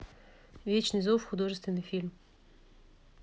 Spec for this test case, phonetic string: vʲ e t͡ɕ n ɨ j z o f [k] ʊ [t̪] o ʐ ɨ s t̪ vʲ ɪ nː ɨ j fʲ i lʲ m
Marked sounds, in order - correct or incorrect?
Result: incorrect: x, incorrect: d̪

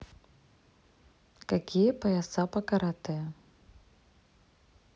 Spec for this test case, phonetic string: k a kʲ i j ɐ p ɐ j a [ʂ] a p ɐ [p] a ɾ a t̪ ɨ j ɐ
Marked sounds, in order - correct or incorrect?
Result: incorrect: s, incorrect: k

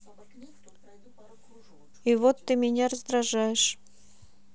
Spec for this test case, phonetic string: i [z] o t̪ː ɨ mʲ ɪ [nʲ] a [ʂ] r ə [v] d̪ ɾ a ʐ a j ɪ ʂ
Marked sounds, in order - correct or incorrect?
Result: incorrect: v, correct, incorrect: none, incorrect: z

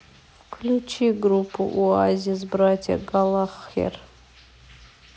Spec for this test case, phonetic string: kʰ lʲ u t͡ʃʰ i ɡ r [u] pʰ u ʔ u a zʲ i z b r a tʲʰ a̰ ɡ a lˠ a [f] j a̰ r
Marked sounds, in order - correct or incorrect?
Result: correct, incorrect: χ

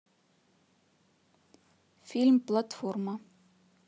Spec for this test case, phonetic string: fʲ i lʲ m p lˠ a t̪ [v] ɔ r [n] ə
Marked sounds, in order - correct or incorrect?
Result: incorrect: f, incorrect: m

